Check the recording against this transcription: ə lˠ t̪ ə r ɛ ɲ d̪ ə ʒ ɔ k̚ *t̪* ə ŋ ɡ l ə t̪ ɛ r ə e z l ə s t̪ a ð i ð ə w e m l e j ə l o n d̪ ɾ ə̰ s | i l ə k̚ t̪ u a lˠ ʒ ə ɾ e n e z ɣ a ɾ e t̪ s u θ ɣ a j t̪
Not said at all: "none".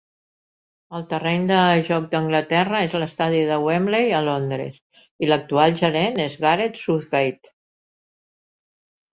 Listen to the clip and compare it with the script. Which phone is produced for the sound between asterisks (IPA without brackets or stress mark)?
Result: d̪